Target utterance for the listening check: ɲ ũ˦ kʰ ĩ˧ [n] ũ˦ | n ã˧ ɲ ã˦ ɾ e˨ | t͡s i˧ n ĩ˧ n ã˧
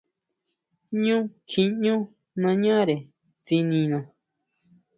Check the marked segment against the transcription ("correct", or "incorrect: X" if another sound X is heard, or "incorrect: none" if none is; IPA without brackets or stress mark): incorrect: ɲ